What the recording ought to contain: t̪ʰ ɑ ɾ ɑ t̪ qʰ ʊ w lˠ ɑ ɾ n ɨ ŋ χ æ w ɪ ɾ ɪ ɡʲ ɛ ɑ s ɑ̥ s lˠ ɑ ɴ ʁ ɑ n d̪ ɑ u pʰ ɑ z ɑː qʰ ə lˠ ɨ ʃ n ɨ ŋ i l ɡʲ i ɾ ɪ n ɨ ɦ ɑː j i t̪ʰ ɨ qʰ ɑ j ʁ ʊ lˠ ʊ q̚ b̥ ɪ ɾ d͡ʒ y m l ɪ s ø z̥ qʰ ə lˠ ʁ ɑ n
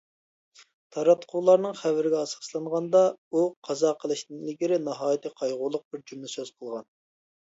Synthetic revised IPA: t̪ʰ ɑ ɾ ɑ t̪ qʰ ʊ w lˠ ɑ ɾ n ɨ ŋ χ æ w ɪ ɾ ɪ ɡʲ ɛ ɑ s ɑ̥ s lˠ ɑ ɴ ʁ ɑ n d̪ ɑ u qʰ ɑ z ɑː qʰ ə lˠ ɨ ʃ n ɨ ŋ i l ɡʲ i ɾ ɪ n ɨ ɦ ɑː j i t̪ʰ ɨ qʰ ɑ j ʁ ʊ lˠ ʊ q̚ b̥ ɪ ɾ d͡ʒ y m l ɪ s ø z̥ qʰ ə lˠ ʁ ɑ n